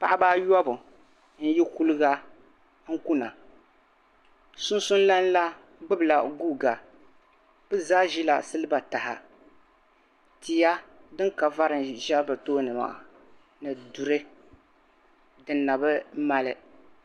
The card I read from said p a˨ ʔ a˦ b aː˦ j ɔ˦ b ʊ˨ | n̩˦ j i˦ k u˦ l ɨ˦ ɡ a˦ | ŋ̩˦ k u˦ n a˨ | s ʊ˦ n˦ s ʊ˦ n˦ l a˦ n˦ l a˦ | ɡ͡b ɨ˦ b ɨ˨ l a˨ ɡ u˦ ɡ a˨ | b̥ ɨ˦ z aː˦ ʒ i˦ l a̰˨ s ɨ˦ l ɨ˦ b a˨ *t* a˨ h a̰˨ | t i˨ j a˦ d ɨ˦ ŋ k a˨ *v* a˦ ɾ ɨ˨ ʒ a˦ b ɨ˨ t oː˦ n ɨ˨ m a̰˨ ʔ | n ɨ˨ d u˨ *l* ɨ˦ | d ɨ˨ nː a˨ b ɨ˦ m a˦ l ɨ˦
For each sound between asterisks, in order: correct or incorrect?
correct, correct, incorrect

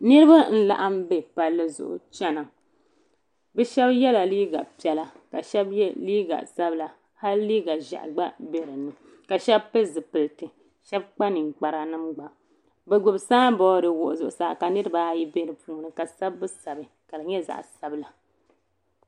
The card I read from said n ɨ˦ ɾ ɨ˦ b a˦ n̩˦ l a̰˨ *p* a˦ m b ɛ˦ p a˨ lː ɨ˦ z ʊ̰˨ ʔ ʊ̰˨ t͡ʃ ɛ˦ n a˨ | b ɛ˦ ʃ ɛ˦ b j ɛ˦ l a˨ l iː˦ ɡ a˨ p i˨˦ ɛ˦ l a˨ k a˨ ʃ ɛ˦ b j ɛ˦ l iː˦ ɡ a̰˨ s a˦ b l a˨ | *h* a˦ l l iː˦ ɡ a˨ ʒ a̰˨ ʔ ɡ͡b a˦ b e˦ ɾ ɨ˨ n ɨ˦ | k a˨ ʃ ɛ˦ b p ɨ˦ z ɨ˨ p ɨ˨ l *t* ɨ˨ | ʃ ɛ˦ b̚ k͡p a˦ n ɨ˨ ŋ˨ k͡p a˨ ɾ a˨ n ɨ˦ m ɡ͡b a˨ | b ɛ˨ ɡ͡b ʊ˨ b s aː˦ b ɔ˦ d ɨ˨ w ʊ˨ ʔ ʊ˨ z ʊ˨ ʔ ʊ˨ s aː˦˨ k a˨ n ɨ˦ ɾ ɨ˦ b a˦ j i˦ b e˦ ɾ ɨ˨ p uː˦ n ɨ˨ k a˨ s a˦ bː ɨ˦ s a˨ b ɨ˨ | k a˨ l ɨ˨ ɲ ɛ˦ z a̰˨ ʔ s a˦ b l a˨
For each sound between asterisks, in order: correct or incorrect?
incorrect, correct, correct

